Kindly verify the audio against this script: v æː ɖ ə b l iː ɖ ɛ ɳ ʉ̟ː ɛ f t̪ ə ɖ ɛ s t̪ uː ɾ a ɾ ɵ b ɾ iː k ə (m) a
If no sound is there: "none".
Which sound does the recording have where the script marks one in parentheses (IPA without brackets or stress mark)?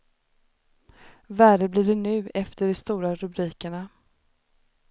ɳ